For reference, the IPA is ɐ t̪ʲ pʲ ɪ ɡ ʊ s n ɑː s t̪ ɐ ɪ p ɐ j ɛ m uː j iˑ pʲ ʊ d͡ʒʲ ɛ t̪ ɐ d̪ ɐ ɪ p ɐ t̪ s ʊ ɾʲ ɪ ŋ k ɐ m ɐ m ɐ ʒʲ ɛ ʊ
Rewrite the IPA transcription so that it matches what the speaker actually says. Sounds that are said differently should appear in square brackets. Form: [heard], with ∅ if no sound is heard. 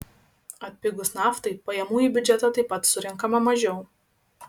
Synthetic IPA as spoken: ɐ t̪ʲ pʲ ɪ ɡ ʊ s n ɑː [f] t̪ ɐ ɪ p ɐ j ɛ m uː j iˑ [bʲ] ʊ d͡ʒʲ ɛ t̪ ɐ [t̪] ɐ ɪ p ɐ t̪ s ʊ ɾʲ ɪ ŋ k ɐ m ɐ m ɐ ʒʲ ɛ ʊ